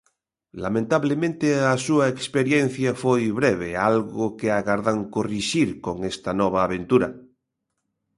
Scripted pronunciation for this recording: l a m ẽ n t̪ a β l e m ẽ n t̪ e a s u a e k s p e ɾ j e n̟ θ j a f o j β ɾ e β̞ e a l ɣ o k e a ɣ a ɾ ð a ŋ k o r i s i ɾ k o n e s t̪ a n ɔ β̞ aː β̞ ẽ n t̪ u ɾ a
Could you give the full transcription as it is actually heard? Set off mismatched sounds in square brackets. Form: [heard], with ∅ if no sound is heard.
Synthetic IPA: l a m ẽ n t̪ a β l e m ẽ n t̪ e a s u a e k s p e ɾ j e n̟ θ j a f o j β ɾ e β̞ e a l ɣ o k e a ɣ a ɾ ð a ŋ k o r i [ʃ] i ɾ k o [ŋ] e s t̪ a n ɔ β̞ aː β̞ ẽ n t̪ u ɾ a